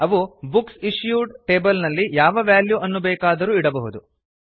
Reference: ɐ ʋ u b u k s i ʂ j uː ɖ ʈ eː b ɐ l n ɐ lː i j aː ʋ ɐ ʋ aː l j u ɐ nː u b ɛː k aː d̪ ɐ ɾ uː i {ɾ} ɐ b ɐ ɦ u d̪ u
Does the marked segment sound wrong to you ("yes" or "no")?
yes